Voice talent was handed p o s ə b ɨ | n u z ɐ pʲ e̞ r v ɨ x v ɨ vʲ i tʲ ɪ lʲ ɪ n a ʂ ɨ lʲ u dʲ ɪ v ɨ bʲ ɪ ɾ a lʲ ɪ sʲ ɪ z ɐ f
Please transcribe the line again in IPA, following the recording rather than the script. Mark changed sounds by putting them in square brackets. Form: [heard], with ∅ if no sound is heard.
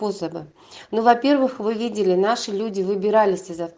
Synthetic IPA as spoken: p o s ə b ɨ | n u [v] ɐ pʲ e̞ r v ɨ x v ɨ vʲ i [dʲ] ɪ lʲ ɪ n a ʂ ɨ lʲ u dʲ ɪ v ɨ bʲ ɪ ɾ a lʲ ɪ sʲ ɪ z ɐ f